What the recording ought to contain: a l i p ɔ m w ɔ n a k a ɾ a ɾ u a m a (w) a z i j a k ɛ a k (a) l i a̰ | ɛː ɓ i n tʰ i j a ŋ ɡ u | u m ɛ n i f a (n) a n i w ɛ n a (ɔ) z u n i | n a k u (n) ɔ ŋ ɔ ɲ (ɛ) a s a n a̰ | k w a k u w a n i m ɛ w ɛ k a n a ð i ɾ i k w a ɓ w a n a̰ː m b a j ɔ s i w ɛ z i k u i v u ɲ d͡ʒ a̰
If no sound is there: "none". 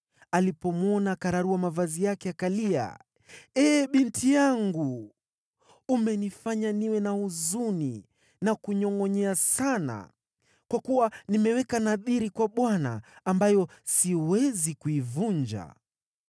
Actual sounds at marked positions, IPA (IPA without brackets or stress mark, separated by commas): v, a, ɲ, u, ɲ, ɛ